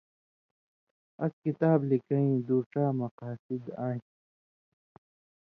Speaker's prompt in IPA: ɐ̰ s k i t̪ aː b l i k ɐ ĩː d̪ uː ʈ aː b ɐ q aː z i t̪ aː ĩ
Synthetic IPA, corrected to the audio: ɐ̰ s k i t̪ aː b l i k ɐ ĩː d̪ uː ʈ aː m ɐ q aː s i d̪ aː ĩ